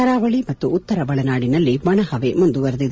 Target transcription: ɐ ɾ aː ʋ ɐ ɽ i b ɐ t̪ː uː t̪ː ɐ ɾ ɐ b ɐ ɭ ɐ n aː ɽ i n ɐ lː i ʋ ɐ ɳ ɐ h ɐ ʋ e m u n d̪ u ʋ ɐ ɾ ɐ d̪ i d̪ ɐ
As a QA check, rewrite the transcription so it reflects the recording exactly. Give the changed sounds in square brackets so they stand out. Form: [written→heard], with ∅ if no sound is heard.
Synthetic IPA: ɐ ɾ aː ʋ ɐ [ɽ→ɭ] i [b→m] ɐ t̪ː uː t̪ː ɐ ɾ ɐ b ɐ ɭ ɐ n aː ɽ i n ɐ lː i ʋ ɐ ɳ ɐ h ɐ ʋ e m u n d̪ u ʋ ɐ ɾ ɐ d̪ i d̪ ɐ